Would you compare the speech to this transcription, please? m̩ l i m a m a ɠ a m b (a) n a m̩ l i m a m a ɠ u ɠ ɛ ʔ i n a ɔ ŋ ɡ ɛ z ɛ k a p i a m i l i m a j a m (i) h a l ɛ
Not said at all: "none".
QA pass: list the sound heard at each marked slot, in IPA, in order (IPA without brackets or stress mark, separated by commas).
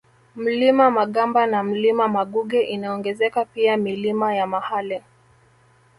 a, a